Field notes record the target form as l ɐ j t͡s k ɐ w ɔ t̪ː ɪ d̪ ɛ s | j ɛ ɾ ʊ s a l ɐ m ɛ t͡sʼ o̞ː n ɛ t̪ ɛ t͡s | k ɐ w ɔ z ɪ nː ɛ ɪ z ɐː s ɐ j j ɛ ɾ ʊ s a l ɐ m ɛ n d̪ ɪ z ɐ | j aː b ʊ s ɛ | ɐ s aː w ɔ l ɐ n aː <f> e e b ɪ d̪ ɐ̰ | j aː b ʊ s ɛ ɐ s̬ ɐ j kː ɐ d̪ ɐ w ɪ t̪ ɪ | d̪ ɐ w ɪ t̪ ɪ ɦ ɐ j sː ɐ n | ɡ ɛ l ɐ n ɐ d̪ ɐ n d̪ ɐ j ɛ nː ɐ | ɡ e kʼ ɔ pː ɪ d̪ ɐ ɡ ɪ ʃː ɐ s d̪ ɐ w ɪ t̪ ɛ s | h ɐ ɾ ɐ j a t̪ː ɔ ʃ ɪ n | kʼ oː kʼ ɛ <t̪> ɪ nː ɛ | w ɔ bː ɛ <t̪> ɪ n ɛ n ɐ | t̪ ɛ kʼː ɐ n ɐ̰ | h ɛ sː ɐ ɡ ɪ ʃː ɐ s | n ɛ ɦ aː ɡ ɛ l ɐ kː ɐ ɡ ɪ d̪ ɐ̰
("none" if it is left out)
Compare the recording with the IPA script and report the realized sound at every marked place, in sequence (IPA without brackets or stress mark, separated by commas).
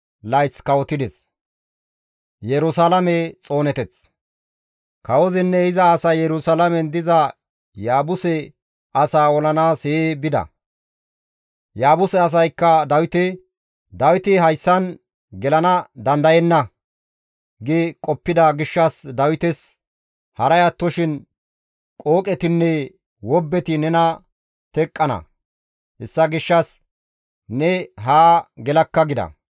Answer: s, t̪, t̪